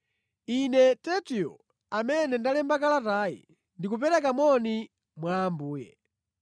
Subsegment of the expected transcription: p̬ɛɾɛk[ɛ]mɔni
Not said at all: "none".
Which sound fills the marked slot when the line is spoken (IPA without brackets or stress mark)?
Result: a